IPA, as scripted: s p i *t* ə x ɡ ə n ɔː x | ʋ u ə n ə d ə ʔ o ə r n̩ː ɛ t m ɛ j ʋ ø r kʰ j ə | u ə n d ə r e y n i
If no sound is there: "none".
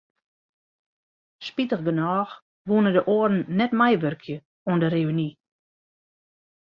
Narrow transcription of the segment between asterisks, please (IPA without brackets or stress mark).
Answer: t